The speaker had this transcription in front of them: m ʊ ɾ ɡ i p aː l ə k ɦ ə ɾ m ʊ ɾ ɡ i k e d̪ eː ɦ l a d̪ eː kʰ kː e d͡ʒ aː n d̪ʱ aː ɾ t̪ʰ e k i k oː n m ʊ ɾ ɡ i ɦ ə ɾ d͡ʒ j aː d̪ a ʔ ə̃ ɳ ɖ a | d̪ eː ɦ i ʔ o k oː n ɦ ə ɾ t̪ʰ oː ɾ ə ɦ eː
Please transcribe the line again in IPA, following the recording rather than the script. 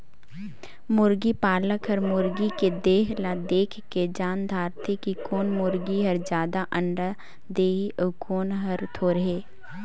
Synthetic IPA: m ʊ ɾ ɡ i p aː l ə k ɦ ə ɾ m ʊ ɾ ɡ i k e d̪ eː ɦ l a d̪ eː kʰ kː e d͡ʒ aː n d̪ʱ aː ɾ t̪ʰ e k i k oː n m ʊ ɾ ɡ i ɦ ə ɾ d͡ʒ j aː d̪ a ʔ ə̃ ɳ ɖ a | d̪ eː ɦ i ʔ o k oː n ɦ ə ɾ t̪ʰ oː ɾ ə ɦ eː